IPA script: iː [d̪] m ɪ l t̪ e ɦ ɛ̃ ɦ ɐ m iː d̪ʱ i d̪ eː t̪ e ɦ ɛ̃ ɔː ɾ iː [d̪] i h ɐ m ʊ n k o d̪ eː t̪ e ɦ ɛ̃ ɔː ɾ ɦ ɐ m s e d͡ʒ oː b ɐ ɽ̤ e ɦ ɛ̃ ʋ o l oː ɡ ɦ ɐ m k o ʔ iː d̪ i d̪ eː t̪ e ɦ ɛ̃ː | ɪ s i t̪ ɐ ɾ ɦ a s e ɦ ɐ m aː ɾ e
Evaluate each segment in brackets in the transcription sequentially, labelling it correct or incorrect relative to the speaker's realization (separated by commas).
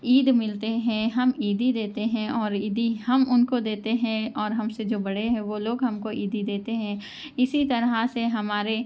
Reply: correct, correct